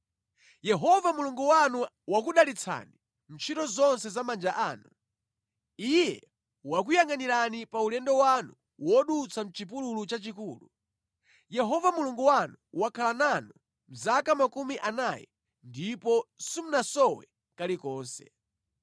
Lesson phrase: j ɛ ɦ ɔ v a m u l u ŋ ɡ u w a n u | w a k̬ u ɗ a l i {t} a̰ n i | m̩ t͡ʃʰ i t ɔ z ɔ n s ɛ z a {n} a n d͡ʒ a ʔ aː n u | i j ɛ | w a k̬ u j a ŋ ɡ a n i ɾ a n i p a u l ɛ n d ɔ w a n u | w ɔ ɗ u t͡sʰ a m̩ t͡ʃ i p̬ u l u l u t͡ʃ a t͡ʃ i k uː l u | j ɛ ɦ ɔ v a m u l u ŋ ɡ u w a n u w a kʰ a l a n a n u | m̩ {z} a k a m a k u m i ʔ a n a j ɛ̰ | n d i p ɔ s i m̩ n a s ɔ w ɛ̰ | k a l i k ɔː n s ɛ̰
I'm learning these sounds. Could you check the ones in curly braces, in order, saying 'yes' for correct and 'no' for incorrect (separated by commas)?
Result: no, no, yes